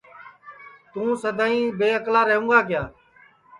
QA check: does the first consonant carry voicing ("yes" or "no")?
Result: no